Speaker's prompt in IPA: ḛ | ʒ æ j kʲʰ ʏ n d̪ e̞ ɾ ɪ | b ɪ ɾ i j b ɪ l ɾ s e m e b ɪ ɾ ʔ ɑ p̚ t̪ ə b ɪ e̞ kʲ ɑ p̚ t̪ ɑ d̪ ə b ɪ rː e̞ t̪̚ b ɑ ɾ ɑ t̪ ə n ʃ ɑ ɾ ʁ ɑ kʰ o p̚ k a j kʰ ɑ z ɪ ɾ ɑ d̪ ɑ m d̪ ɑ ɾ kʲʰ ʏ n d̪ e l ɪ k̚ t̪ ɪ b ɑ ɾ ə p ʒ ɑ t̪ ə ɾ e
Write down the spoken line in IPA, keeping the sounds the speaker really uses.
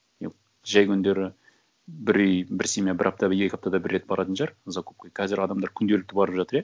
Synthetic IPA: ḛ | ʒ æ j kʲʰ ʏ n d̪ e̞ ɾ ɪ | b ɪ ɾ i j b ɪ ɾ s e m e b ɪ ɾ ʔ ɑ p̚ t̪ ɑ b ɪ e̞ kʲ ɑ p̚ t̪ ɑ d̪ ɑ b ɪ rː e̞ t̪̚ b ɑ ɾ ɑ t̪ ə n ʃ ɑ ɾ z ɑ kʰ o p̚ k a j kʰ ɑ z ɪ ɾ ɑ d̪ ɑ m d̪ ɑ ɾ kʲʰ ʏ n d̪ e l ɪ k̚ t̪ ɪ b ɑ ɾ ə p ʒ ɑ t̪ ə ɾ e